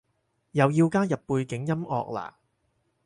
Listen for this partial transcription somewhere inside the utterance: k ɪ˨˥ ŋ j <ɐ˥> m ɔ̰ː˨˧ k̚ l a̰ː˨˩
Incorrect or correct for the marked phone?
correct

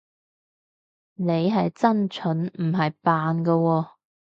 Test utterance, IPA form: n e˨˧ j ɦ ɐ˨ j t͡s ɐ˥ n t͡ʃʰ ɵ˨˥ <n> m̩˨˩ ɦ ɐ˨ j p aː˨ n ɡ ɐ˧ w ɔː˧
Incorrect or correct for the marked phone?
correct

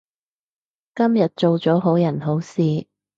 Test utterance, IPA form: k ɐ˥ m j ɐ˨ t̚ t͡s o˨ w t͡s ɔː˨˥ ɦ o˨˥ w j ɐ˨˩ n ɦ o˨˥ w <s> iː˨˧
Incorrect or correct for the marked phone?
correct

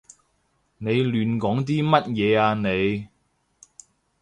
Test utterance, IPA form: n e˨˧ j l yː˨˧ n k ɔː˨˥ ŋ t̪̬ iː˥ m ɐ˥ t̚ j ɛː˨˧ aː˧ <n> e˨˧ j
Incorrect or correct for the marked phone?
correct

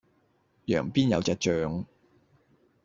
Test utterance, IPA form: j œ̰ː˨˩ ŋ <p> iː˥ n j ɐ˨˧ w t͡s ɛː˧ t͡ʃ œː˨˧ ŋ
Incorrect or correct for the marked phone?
correct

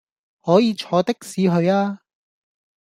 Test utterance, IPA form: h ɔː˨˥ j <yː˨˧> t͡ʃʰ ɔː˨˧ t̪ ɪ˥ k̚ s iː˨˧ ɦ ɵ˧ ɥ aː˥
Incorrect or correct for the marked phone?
incorrect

